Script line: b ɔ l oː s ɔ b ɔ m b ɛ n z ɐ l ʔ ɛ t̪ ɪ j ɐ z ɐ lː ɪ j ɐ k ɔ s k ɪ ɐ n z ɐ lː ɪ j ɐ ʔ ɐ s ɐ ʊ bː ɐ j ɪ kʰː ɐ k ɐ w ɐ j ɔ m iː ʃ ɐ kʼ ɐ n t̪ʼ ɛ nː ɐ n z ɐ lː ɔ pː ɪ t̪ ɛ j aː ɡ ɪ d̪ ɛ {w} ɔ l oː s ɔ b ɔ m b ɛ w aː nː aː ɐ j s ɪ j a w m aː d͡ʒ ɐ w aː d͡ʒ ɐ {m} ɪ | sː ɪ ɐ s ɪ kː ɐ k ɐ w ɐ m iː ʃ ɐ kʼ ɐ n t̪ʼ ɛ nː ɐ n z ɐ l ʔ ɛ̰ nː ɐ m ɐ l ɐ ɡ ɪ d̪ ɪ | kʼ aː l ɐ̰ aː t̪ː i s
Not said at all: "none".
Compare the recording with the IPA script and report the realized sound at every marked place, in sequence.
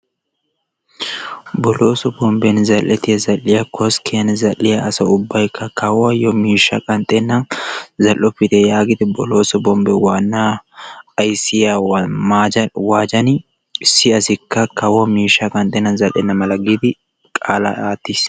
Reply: b, n

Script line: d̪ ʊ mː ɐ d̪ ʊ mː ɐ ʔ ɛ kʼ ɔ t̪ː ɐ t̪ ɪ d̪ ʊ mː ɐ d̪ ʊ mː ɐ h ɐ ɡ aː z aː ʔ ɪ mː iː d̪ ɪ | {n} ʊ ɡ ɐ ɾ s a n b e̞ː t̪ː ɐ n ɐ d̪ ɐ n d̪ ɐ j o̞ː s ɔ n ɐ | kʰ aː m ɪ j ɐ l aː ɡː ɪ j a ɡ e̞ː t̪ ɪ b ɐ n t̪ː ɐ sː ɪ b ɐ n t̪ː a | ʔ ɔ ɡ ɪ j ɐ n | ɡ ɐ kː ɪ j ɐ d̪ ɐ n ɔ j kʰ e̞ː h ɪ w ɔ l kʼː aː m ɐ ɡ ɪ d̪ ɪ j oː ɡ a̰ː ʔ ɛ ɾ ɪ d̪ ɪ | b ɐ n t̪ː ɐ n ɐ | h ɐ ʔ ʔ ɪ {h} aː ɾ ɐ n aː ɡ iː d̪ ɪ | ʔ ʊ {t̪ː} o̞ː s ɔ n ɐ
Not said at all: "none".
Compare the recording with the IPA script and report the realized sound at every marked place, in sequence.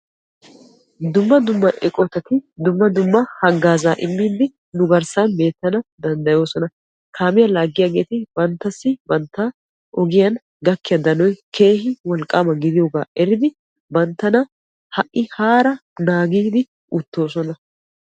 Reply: n, h, t̪ː

